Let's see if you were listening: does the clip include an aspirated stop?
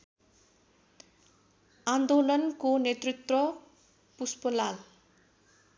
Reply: no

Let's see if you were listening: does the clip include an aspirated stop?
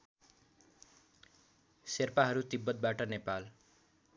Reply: no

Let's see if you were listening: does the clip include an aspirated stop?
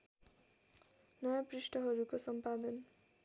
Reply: no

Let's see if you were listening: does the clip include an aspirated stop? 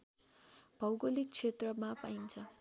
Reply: yes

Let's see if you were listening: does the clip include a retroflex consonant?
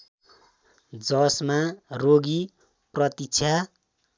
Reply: no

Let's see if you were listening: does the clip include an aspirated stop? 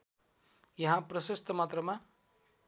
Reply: no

